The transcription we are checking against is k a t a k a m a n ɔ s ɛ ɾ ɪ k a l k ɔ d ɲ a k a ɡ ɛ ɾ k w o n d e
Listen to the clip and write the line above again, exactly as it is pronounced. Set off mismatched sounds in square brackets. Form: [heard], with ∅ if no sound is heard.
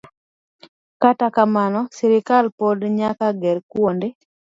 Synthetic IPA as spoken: k a t a k a m a n ɔ s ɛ ɾ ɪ k a l [p] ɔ d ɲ a k a ɡ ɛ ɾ k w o n d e

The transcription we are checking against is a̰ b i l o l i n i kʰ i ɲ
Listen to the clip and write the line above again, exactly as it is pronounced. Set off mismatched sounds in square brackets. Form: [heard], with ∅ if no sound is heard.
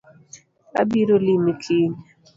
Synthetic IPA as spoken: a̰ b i [ɾ] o l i [m] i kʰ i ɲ

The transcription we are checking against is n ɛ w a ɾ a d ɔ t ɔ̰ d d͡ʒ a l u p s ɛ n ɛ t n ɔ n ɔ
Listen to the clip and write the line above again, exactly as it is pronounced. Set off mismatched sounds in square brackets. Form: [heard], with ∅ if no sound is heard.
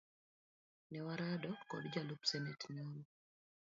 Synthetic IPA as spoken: n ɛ w a ɾ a d ɔ [k] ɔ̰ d d͡ʒ a l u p s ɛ n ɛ t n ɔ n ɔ

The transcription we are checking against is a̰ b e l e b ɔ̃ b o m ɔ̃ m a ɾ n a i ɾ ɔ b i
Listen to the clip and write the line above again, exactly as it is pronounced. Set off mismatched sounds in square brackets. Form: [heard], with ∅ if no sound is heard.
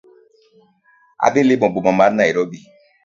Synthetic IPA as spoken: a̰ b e l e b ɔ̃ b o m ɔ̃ m a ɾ n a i ɾ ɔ b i

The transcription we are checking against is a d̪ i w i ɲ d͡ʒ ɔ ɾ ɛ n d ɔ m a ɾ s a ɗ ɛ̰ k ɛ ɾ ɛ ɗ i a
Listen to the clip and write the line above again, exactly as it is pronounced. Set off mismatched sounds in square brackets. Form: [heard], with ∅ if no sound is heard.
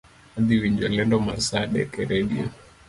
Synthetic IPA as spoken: a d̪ i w i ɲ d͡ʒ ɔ [l] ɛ n d ɔ m a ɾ s a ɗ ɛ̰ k ɛ ɾ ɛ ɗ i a

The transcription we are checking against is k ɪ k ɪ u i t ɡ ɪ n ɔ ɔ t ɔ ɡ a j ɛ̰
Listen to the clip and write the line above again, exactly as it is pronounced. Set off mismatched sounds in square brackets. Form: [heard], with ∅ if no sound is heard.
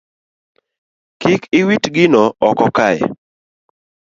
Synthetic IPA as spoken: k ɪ k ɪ [w] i t ɡ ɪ n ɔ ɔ [k] ɔ [k] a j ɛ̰

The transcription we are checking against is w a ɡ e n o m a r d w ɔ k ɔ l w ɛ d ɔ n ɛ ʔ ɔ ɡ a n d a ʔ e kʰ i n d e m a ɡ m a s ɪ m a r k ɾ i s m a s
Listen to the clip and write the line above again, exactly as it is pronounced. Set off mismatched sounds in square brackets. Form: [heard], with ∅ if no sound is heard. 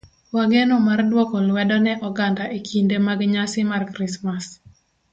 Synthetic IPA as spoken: w a ɡ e n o m a r d w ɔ k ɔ l w ɛ d ɔ n ɛ ʔ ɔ ɡ a n d a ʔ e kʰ i n d e m a ɡ [ɲ] a s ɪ m a r k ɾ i s m a s

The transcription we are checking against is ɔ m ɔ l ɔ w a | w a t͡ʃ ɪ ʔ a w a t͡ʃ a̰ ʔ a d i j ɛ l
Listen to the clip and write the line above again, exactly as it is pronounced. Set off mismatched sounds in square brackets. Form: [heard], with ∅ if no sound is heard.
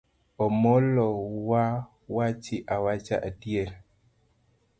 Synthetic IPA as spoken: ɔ m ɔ l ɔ w a | w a t͡ʃ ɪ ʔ a w a t͡ʃ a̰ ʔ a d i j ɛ l

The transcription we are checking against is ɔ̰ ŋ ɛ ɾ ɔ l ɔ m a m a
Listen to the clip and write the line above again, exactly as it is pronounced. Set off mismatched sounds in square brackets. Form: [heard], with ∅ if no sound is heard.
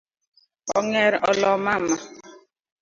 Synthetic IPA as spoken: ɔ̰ ŋ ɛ ɾ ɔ l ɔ m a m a

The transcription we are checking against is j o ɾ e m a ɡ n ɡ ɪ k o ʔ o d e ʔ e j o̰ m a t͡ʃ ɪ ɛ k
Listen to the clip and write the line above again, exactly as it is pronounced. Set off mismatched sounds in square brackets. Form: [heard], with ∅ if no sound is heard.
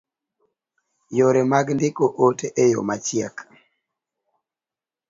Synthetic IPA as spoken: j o ɾ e m a ɡ n [d] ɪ k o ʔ o [t] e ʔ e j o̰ m a t͡ʃ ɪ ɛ k

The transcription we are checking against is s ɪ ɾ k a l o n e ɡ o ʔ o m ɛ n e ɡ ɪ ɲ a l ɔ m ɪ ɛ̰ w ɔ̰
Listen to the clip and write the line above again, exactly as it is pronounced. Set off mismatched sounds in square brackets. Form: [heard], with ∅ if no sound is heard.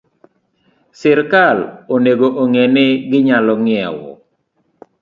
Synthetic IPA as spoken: s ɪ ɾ k a l o n e ɡ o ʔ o [ŋ] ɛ n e ɡ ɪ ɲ a l ɔ [ŋ] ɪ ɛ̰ w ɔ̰

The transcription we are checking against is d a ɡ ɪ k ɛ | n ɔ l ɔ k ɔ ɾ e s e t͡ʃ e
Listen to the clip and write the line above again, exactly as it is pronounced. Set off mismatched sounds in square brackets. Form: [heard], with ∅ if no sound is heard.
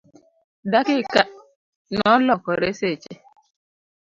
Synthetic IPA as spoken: d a [k] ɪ k [a] | n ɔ l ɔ k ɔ ɾ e s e t͡ʃ e

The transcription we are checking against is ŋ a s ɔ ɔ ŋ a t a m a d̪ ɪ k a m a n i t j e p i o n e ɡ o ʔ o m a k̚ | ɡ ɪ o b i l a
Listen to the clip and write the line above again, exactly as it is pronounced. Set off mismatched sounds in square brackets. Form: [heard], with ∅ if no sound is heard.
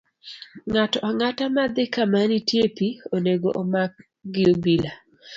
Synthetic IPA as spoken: ŋ a [t] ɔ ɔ ŋ a t a m a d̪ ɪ k a m a n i t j e p i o n e ɡ o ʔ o m a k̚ | ɡ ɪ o b i l a

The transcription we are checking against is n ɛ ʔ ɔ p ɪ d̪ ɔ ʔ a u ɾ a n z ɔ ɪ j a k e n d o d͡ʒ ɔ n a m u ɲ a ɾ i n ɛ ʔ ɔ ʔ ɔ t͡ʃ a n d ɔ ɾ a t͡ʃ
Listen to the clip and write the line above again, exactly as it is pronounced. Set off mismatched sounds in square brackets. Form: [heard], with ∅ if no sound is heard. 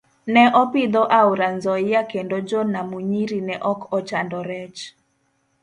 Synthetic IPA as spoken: n ɛ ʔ ɔ p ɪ d̪ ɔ ʔ a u ɾ a n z ɔ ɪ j a k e n d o d͡ʒ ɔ n a m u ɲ [i] ɾ i n ɛ ʔ ɔ [k] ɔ t͡ʃ a n d ɔ ɾ [ɛ] t͡ʃ

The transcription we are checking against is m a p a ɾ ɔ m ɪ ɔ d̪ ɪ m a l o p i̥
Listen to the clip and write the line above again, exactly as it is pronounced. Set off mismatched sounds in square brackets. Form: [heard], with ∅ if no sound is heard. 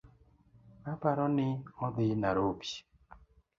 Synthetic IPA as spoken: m a p a ɾ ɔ [n] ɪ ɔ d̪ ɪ [n] a [ɾ] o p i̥

